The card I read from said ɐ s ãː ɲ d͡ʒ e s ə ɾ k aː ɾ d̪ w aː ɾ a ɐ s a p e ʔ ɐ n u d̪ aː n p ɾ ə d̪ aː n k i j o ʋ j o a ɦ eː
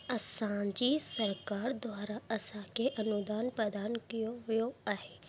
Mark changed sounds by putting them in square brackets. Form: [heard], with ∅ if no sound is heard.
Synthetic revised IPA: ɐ s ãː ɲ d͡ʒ [i] s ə ɾ k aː ɾ d̪ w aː ɾ a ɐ s a [k] e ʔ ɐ n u d̪ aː n p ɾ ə d̪ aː n k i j o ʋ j o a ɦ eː